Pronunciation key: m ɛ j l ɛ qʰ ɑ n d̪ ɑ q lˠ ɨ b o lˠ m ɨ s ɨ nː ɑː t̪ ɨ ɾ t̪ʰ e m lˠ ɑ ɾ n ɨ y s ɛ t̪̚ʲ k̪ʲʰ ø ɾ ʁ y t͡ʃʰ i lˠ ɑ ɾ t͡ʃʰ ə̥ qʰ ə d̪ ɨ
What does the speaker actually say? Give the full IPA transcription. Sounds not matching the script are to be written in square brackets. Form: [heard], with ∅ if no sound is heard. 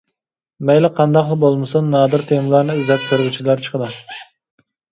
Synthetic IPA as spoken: m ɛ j l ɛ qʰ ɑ n d̪ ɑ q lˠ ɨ b o lˠ m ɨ s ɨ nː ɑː [d̪] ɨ ɾ t̪ʰ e m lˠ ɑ ɾ n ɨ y [z] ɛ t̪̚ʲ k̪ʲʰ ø ɾ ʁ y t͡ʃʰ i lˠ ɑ ɾ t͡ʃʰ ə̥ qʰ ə d̪ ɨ